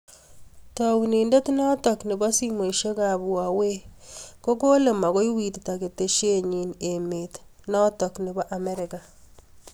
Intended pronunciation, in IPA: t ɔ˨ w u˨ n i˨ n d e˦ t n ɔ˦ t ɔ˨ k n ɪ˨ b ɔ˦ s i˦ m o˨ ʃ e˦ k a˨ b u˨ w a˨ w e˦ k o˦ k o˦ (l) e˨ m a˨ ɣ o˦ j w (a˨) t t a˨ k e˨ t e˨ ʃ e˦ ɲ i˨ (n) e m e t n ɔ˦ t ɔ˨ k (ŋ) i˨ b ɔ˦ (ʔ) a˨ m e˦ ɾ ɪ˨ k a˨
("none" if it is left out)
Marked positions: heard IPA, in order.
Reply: l, i˨, n, n, ʔ

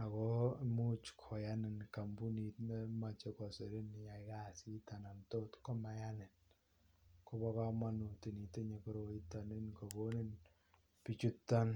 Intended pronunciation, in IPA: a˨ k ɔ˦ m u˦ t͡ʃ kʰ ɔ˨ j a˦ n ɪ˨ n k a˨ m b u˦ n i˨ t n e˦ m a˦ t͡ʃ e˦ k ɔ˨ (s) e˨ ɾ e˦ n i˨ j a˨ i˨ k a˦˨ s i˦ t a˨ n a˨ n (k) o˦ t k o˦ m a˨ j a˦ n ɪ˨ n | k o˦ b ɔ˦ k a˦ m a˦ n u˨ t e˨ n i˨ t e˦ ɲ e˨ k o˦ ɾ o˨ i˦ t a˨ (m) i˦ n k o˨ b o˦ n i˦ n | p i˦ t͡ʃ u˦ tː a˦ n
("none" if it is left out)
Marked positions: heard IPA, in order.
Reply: s, t, n

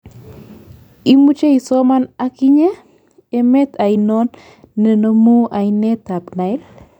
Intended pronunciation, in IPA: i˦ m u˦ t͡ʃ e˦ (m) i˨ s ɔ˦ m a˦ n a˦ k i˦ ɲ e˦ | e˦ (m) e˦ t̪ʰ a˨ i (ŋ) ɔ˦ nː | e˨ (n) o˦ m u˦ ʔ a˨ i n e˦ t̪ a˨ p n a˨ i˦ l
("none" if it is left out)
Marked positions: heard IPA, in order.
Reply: none, m, n, n

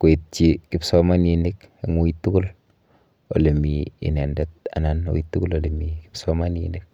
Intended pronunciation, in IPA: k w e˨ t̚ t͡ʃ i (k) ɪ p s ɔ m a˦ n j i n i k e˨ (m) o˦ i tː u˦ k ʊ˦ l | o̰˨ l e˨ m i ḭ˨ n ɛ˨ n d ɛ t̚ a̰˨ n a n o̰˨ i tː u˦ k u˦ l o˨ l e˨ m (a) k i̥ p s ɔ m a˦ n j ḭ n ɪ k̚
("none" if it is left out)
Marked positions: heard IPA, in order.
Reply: k, ŋ, i

